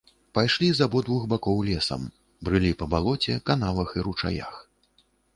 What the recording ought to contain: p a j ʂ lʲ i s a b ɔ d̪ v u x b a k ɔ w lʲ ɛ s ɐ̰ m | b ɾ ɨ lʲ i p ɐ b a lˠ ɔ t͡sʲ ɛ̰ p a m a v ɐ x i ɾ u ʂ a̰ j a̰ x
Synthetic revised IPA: p a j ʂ lʲ i z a b ɔ d̪ v u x b a k ɔ w lʲ ɛ s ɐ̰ m | b ɾ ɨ lʲ i p ɐ b a lˠ ɔ t͡sʲ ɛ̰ k a n a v ɐ x i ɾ u t͡ʂ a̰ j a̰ x

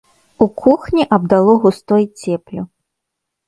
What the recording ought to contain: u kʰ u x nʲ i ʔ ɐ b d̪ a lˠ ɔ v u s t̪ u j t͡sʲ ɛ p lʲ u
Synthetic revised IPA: u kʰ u x nʲ i ʔ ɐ b d̪ a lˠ ɔ ɣ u s t̪ ɔ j t͡sʲ ɛ p lʲ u

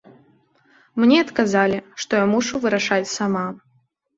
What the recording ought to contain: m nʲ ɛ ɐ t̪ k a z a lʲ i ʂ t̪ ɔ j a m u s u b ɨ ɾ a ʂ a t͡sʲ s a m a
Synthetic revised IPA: m nʲ ɛ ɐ t̪ k a z a lʲ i ʂ t̪ ɔ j a m u ʂ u v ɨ ɾ a ʂ a t͡sʲ s a m a

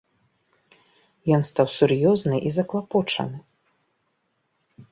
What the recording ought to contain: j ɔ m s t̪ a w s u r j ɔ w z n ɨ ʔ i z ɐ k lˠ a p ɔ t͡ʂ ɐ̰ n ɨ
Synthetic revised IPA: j ɔ n s t̪ a w s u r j ɔ z n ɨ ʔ i z ɐ k lˠ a p ɔ t͡ʂ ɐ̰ n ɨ

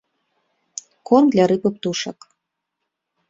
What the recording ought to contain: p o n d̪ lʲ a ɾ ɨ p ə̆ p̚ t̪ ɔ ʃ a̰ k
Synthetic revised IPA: k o n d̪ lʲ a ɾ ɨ p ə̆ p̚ t̪ u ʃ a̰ k

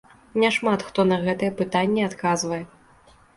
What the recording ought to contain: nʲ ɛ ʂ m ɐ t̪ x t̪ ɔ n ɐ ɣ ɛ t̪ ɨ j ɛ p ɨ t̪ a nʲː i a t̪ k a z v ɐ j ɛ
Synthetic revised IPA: nʲ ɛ ʂ m a t̪ x t̪ ɔ n ɐ ɣ ɛ t̪ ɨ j ɛ p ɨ t̪ a nʲː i a t̪ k a z v ɐ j ɛ

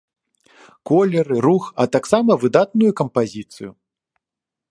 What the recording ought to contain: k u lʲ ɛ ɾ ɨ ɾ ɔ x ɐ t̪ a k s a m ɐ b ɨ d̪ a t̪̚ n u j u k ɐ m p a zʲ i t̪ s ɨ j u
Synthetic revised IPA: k ɔ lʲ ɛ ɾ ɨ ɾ u x ɐ t̪ a k s a m ɐ v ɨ d̪ a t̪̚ n u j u k ɐ m p a zʲ i t̪ s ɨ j u

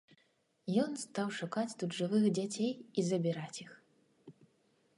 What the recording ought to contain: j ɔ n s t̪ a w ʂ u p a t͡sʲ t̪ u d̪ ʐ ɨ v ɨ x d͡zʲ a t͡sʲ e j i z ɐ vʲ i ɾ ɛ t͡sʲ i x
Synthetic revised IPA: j ɔ n s t̪ a w ʂ u k a t͡sʲ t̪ u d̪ ʐ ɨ v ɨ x d͡zʲ a t͡sʲ e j i z ɐ bʲ i ɾ a t͡sʲ i x

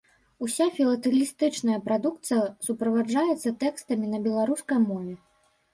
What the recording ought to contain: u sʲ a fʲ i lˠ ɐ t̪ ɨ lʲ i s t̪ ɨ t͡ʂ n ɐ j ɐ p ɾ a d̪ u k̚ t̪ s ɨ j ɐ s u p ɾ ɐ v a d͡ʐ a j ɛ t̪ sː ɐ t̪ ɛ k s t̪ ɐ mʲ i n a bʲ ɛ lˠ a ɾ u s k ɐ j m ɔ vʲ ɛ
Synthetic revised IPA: u sʲ a fʲ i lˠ ɐ t̪ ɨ lʲ i s t̪ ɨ t͡ʂ n ɐ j ɐ p ɾ a d̪ u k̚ t̪ s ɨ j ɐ s u p ɾ ɐ v a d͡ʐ a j ɛ t̪ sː ɐ t̪ ɛ k s t̪ ɐ mʲ i n ɐ bʲ ɛ lˠ a ɾ u s k ɐ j m ɔ vʲ ɛ

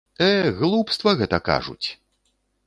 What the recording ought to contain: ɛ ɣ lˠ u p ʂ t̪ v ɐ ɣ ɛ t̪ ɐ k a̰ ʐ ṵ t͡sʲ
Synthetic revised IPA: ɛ ɣ lˠ u p s t̪ v ɐ ɣ ɛ t̪ ɐ k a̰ ʐ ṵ t͡sʲ

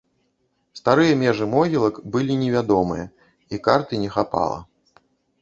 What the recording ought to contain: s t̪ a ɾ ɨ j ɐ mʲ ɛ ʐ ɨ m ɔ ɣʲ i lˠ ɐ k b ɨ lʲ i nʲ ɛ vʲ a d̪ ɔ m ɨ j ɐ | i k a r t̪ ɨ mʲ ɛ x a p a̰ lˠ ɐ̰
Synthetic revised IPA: s t̪ a ɾ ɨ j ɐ mʲ ɛ ʐ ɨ m ɔ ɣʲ i lˠ ɐ k b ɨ lʲ i nʲ ɛ vʲ a d̪ ɔ m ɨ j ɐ | i k a r t̪ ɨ nʲ ɛ x a p a̰ lˠ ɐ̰

